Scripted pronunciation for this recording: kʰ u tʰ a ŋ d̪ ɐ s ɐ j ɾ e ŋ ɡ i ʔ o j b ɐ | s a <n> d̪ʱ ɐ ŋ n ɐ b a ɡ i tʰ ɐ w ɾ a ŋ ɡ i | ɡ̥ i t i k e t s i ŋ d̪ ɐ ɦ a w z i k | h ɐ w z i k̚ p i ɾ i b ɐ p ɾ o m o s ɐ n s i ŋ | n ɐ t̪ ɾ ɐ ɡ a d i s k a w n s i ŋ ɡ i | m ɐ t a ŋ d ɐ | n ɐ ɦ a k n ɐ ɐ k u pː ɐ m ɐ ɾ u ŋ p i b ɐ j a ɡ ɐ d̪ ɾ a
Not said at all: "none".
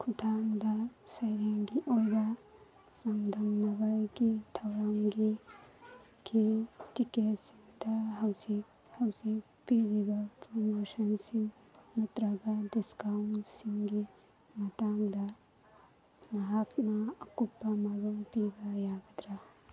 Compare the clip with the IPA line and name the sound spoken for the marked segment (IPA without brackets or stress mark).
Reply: ŋ